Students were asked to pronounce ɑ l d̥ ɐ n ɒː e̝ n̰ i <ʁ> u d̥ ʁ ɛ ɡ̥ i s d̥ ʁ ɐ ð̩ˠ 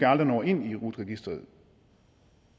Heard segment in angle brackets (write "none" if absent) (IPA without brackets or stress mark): ʁ